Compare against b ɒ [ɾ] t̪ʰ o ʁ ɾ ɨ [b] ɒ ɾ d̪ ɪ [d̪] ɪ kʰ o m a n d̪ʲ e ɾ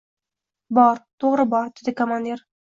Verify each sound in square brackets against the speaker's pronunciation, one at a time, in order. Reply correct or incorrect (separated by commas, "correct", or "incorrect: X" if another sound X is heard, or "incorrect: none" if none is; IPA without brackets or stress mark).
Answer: correct, correct, correct